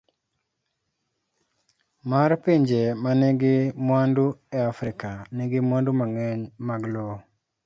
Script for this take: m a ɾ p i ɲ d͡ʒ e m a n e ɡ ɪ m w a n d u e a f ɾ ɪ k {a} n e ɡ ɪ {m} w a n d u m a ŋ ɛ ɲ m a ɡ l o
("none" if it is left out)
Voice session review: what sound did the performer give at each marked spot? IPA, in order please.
a, m

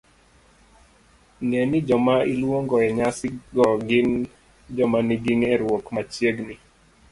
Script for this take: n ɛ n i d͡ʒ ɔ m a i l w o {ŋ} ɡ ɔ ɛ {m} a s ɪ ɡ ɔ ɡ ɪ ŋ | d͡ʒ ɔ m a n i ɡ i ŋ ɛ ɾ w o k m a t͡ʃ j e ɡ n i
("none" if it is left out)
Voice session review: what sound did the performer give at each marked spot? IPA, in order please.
ŋ, ɲ

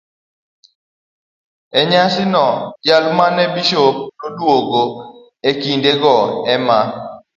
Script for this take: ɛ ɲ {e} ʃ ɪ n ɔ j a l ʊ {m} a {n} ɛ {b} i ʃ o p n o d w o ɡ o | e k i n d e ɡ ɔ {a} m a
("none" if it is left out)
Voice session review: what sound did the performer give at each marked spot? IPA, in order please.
a, m, n, b, ɛ

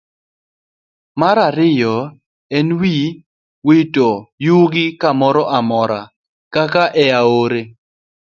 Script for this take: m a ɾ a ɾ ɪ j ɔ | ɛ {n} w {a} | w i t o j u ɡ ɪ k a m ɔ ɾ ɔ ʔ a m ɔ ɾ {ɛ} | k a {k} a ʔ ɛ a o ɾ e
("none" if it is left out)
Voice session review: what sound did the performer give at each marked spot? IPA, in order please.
n, i, a, k

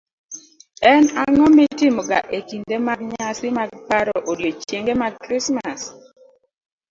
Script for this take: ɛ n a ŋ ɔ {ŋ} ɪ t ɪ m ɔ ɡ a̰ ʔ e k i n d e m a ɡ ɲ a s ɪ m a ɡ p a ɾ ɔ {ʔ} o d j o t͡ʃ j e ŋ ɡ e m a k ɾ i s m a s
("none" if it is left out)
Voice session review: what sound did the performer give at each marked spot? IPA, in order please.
m, ʔ

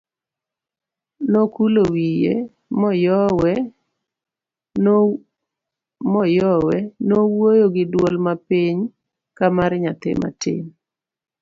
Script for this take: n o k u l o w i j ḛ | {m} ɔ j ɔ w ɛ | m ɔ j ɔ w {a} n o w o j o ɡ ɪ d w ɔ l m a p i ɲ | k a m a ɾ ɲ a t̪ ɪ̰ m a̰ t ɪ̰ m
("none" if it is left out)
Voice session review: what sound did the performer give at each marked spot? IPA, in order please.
m, ɛ

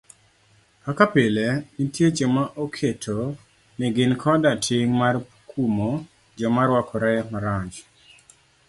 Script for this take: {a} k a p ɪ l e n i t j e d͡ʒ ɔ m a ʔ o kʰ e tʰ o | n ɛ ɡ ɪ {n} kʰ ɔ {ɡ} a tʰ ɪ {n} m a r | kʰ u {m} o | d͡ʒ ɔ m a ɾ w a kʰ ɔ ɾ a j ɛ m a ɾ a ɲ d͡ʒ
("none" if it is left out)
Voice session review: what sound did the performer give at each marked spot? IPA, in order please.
a, n, d, ŋ, m

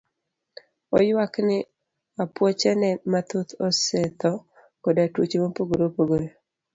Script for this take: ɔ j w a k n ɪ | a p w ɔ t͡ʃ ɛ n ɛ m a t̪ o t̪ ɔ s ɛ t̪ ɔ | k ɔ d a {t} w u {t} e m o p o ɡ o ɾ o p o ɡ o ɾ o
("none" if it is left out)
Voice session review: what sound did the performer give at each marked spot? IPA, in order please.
t, t͡ʃ

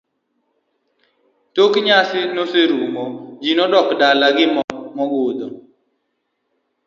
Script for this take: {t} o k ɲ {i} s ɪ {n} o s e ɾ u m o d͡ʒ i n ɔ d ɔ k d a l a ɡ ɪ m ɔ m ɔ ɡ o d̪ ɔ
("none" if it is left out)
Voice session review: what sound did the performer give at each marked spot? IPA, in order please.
t, a, n

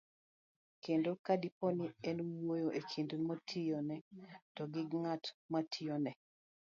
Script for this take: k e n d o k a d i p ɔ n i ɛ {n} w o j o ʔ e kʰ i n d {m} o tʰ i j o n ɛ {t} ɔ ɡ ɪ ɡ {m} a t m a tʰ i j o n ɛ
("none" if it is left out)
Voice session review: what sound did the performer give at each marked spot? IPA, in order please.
n, m, t, ŋ

